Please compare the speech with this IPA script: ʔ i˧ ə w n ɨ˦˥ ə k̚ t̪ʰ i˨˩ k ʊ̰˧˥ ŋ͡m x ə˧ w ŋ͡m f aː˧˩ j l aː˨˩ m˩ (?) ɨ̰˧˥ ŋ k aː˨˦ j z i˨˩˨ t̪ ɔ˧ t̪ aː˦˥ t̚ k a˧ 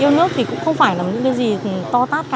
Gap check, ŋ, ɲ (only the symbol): ɲ